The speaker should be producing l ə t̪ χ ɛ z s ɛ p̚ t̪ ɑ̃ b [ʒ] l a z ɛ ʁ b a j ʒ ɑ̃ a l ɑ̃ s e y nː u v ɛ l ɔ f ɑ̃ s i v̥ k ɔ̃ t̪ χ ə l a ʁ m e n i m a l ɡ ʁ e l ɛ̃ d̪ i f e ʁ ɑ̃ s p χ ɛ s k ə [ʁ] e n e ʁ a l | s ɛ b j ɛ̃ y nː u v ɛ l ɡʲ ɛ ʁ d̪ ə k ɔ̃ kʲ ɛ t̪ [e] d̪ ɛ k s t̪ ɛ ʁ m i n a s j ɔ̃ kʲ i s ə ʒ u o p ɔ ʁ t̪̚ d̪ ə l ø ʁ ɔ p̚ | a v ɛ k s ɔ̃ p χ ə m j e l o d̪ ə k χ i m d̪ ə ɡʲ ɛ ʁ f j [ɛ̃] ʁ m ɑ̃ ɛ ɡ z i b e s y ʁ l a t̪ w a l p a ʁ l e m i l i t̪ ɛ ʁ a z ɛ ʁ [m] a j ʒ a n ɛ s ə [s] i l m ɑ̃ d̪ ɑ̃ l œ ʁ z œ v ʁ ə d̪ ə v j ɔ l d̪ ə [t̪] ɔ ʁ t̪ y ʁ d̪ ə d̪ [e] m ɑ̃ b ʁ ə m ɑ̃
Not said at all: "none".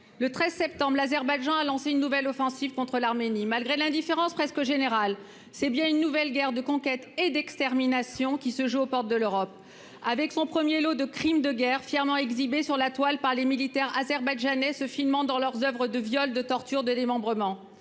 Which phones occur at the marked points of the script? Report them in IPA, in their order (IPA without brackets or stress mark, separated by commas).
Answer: ʁ, ʒ, e, ɛ, b, f, t̪, e